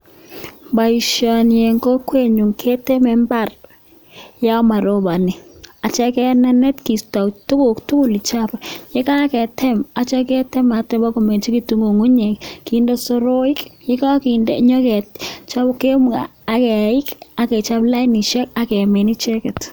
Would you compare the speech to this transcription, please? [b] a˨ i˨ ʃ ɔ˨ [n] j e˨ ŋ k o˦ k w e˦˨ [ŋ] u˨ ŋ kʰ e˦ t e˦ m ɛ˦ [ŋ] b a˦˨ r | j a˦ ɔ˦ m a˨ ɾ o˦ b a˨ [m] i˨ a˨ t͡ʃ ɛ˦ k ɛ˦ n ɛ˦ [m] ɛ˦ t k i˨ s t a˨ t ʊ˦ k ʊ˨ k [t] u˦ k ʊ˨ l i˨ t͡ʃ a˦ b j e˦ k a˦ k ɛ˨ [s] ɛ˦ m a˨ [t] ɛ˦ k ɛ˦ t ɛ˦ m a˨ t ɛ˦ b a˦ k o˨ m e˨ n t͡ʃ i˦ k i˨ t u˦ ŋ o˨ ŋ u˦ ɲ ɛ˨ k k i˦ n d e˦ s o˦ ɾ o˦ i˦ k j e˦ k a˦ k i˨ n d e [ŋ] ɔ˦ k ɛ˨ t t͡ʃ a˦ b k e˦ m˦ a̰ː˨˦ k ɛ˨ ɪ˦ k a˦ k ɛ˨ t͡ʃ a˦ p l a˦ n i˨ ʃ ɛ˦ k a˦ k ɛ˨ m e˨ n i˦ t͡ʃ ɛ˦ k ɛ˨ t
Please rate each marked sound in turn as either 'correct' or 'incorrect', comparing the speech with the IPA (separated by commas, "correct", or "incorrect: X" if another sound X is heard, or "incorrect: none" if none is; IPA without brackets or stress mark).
correct, correct, incorrect: ɲ, incorrect: m, incorrect: n, incorrect: n, correct, incorrect: t, incorrect: t͡ʃ, incorrect: ɲ